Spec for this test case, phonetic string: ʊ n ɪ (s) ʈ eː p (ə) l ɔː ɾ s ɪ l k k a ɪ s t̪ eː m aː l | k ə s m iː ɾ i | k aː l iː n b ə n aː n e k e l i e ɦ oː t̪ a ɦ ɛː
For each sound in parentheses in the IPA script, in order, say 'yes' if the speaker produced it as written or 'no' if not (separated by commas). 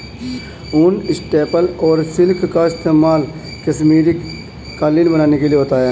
yes, yes